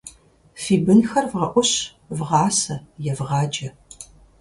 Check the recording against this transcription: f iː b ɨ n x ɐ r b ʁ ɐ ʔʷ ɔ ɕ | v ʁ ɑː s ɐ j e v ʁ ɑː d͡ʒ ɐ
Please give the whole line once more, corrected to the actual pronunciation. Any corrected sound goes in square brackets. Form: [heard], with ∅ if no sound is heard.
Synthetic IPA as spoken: f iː b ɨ n x ɐ r [v] ʁ ɐ ʔʷ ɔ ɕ | v ʁ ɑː s ɐ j [ɛ] v ʁ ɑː d͡ʒ ɐ